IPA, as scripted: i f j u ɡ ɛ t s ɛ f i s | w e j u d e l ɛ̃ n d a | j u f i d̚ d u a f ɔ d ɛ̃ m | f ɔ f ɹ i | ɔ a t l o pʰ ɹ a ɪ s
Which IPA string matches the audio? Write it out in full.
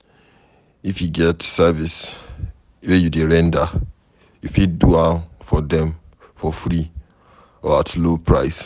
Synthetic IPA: i f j u ɡ ɛ t s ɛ v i s | w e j u d e ɹ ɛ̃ n d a | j u f i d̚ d u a f ɔ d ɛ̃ m | f ɔ f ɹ i | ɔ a t l o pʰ ɹ a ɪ s